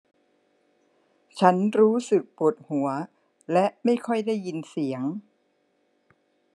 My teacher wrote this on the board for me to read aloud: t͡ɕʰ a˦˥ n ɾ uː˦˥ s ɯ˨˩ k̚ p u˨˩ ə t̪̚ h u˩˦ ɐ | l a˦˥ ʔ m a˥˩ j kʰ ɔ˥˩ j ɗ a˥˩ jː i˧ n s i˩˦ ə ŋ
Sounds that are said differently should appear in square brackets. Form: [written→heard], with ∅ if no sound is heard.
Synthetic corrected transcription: t͡ɕʰ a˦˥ n ɾ uː˦˥ s ɯ˨˩ k̚ p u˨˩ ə t̪̚ h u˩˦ ɐ | l [a˦˥→ɛ˦˥] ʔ m a˥˩ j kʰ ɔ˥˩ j [ɗ→d] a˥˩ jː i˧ n s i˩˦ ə ŋ